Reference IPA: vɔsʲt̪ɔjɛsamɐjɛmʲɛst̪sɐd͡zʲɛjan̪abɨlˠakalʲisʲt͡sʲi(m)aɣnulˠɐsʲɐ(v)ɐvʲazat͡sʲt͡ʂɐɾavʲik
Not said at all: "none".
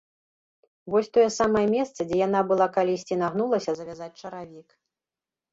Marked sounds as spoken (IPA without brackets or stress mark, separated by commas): n, z